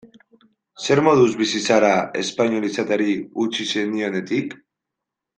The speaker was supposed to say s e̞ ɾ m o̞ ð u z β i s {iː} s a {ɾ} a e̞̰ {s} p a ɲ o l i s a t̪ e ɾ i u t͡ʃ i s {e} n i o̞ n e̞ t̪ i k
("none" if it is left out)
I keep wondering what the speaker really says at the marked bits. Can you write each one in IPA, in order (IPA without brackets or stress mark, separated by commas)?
i, ɾ, s, e